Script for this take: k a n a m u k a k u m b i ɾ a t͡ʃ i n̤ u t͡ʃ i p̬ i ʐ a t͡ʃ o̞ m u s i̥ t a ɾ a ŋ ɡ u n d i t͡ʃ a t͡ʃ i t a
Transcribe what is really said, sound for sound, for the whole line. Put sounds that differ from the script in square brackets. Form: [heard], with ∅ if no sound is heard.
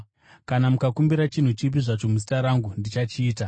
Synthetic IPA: k a n a m u k a k u m b i ɾ a t͡ʃ i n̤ u t͡ʃ i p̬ i ʐ a t͡ʃ o̞ m u s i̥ t a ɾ a ŋ ɡ u n d i t͡ʃ a t͡ʃ [iː] t a